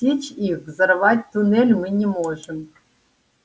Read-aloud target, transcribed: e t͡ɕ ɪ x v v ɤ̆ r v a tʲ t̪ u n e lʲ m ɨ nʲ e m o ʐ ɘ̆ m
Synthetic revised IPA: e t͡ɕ i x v z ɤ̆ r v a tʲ t̪ u n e lʲ m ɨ nʲ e m o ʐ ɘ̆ m